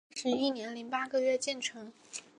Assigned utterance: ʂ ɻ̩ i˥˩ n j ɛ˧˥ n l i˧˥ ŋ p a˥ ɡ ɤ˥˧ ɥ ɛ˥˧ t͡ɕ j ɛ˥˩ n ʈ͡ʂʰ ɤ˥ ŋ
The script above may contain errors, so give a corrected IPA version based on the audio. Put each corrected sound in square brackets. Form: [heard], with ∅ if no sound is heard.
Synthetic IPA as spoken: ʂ ɻ̩ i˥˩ n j ɛ˧˥ n l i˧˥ ŋ p a˥ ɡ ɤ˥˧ ɥ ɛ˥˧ t͡ɕ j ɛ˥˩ n ʈ͡ʂʰ [ɤ˧˥] ŋ